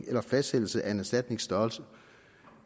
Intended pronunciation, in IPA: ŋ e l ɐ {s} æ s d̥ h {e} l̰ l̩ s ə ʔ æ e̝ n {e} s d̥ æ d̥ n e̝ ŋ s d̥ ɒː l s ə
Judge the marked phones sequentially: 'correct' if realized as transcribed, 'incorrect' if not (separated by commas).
incorrect, correct, incorrect